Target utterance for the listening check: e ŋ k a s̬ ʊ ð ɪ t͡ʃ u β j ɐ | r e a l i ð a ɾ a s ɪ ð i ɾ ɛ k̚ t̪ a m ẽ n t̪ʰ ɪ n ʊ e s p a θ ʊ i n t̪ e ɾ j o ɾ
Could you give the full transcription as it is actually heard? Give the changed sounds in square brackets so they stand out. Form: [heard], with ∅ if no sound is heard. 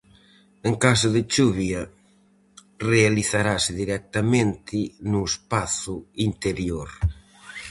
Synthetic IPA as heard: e ŋ k a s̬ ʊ ð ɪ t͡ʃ u β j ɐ | r e a l i [θ] a ɾ a s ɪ ð i ɾ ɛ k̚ t̪ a m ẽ n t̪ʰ ɪ n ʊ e s p a θ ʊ i n t̪ e ɾ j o ɾ